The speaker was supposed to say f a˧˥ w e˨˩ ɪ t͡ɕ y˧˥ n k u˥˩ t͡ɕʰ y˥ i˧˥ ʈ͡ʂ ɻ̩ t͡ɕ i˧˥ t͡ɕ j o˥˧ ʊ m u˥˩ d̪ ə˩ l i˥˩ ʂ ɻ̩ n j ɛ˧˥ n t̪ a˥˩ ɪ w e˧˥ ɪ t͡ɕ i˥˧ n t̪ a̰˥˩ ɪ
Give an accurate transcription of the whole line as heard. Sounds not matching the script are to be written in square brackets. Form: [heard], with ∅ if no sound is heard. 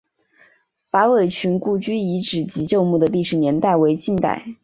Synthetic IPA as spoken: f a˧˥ w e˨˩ ɪ [t͡ɕʰ] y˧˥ n k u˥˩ [t͡ɕ] y˥ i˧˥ ʈ͡ʂ ɻ̩ t͡ɕ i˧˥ t͡ɕ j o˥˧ ʊ m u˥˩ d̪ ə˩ l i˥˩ ʂ ɻ̩ n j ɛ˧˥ n t̪ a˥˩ ɪ w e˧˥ ɪ t͡ɕ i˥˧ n t̪ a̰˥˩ ɪ